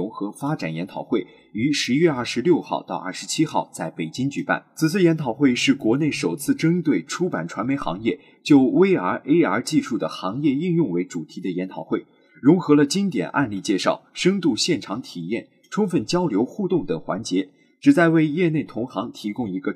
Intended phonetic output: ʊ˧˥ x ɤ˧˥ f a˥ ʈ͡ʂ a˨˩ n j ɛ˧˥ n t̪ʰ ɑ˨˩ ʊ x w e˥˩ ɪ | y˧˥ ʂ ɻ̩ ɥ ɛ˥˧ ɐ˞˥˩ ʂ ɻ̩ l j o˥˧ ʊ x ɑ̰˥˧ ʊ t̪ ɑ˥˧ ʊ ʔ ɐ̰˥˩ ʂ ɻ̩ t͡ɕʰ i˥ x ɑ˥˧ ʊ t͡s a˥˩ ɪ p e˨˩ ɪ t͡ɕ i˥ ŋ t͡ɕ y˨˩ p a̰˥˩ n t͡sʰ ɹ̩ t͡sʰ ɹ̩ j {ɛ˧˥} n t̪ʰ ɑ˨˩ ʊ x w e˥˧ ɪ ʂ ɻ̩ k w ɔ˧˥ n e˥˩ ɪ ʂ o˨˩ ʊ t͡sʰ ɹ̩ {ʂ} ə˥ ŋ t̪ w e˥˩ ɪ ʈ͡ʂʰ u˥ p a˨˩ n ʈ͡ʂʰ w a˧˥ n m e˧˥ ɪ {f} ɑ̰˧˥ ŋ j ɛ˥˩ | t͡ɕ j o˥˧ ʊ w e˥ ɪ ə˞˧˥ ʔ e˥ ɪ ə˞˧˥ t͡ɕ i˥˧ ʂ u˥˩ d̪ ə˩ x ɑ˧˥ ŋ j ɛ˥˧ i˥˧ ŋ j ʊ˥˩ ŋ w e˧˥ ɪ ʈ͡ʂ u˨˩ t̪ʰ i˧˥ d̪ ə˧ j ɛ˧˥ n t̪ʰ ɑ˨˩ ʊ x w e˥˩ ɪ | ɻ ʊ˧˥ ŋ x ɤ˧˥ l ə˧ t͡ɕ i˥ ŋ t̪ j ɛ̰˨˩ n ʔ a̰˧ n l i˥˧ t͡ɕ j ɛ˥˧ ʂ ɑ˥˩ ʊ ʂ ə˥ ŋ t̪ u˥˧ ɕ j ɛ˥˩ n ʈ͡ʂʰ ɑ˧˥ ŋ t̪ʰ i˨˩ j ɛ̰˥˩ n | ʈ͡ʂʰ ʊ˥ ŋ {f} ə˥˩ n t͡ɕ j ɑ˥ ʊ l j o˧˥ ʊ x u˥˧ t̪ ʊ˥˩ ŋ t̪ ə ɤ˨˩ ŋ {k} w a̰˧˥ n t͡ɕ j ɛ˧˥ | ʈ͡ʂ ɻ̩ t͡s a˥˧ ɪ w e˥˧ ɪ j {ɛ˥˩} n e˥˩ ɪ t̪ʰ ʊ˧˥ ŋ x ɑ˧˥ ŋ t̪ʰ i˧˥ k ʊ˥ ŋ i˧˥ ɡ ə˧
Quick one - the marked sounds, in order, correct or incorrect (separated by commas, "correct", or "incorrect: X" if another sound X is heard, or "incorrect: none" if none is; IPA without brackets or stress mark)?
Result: correct, incorrect: ʈ͡ʂ, incorrect: x, correct, incorrect: x, incorrect: ɛ˥˧